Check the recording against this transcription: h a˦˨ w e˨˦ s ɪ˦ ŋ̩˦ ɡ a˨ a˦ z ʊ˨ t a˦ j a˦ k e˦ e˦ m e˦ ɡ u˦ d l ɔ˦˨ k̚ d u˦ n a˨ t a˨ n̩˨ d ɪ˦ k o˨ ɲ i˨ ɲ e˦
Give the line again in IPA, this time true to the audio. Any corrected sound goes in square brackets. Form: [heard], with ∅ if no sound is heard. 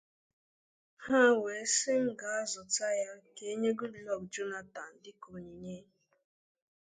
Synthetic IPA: h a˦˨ w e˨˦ s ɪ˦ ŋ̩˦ ɡ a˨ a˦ z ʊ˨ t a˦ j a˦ k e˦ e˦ [ɲ] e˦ ɡ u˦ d l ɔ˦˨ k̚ [d͡ʒ] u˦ n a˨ t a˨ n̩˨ d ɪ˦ k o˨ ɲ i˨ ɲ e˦

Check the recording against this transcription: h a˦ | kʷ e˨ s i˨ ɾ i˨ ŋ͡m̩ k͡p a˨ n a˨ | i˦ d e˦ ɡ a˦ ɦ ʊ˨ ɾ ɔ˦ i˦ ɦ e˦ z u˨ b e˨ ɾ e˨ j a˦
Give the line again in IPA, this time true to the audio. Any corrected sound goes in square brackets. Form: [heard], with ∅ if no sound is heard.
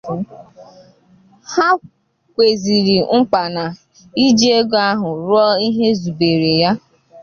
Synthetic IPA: h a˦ | kʷ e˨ [z] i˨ ɾ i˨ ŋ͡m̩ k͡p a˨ n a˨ | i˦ [d͡ʒ] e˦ ɡ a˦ ɦ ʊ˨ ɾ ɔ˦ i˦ ɦ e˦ z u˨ b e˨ ɾ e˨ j a˦

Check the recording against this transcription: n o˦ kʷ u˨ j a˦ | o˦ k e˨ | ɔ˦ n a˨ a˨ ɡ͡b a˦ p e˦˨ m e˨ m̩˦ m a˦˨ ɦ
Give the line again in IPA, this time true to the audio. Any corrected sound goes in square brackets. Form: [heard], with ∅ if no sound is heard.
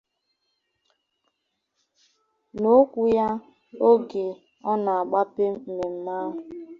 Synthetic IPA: n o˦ kʷ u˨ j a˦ | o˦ [ɡ] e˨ | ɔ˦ n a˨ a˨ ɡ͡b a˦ p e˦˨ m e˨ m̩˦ m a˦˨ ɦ

